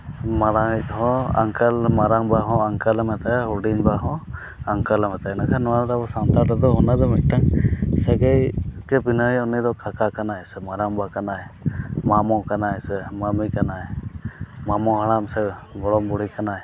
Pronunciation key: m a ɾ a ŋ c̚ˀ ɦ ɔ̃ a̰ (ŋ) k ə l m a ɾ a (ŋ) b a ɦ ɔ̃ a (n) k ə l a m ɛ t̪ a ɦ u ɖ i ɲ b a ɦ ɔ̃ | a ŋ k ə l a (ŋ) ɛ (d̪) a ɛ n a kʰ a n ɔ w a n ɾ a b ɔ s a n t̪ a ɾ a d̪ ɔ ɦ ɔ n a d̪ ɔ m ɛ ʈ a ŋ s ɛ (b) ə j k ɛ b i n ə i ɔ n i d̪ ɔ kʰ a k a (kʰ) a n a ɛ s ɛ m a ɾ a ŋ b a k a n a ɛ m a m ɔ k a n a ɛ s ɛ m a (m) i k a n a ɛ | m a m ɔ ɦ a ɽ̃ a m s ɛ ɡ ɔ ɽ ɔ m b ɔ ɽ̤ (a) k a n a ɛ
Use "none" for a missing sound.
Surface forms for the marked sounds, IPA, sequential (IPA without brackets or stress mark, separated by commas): ŋ, ŋ, ŋ, m, t̪, ɡ, k, m, i